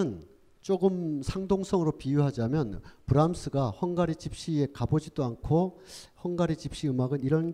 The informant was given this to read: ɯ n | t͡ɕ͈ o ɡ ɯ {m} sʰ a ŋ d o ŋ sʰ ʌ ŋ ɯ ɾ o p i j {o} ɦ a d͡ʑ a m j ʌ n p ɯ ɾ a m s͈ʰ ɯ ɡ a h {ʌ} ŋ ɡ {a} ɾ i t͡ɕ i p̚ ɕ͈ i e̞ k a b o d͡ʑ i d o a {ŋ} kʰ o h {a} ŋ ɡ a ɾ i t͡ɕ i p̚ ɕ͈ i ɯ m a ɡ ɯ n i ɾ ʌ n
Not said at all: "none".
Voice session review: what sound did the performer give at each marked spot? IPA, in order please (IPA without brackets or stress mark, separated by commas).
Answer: m, u, ʌ, a, n, ʌ